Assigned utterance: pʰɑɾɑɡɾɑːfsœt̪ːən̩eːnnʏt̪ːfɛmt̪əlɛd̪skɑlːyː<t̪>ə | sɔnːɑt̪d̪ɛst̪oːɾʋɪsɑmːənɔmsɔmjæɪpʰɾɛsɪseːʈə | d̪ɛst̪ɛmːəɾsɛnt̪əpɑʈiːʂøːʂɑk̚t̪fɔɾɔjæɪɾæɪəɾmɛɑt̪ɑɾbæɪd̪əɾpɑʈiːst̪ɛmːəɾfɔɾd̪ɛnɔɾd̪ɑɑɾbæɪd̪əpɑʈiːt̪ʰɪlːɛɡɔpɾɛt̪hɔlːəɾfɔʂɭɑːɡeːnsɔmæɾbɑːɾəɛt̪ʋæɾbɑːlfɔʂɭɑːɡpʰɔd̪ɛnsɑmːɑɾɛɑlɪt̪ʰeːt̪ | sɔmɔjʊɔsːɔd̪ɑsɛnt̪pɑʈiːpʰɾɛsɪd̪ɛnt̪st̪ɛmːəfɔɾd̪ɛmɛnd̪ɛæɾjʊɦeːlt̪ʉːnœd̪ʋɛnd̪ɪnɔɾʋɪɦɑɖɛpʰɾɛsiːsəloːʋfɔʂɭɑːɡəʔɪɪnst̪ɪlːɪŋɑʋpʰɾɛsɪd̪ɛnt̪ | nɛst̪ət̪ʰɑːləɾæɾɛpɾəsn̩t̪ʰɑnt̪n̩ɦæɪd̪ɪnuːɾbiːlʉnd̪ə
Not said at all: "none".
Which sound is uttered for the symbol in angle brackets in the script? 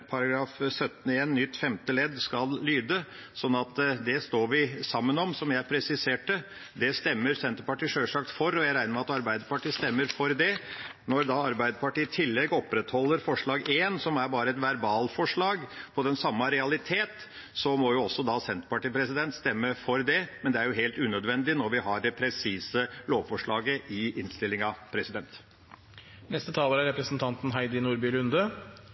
d̪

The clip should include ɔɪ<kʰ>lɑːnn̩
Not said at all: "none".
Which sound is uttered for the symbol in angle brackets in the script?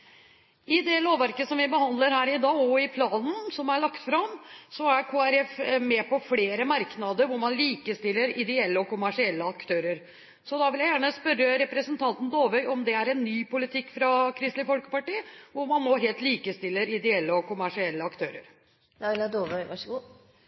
pʰ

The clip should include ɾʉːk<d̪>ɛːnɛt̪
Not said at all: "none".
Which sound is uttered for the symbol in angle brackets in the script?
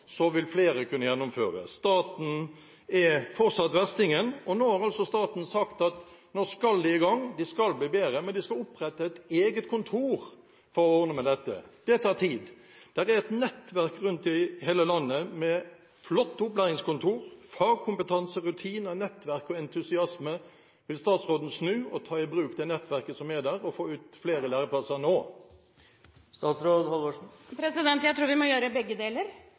d̪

